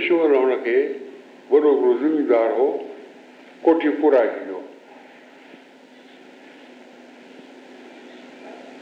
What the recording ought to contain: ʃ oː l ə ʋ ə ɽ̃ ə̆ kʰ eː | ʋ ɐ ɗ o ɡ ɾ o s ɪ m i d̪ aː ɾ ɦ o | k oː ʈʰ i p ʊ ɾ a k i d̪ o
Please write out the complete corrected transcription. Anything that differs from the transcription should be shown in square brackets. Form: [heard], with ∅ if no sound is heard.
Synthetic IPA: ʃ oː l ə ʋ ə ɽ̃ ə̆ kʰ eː | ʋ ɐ ɗ o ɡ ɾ o [z] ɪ m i d̪ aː ɾ ɦ o | k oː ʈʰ i p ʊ ɾ a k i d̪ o